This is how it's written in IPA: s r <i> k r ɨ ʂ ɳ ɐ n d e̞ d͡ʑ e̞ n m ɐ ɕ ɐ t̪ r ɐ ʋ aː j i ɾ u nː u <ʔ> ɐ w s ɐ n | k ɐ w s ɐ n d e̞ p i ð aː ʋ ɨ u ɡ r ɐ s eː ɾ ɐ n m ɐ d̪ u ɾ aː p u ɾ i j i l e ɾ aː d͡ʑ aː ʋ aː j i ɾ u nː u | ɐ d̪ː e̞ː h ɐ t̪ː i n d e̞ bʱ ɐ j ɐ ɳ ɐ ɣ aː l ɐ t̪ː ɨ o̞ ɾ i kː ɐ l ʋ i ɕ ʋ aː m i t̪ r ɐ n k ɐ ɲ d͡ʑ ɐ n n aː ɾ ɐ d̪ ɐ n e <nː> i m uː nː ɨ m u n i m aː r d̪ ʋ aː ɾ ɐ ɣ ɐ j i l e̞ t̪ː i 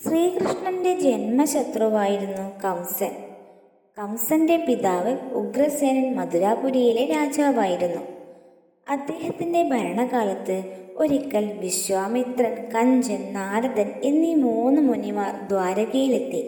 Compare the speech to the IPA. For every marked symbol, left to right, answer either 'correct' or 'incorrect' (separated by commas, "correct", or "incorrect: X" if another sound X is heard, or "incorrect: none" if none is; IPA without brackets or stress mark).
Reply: incorrect: iː, incorrect: k, correct